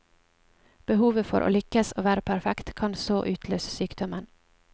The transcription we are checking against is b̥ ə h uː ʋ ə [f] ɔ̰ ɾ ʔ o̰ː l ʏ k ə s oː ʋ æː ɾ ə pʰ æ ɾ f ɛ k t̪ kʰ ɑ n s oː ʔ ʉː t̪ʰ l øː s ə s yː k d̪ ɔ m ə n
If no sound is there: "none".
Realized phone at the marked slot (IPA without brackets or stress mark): f